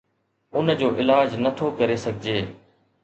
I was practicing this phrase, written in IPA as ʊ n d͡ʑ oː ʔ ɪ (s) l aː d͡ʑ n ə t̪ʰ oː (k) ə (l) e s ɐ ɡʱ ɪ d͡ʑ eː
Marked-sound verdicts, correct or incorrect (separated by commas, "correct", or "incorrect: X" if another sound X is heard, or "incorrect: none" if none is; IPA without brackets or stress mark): incorrect: none, correct, incorrect: ɾ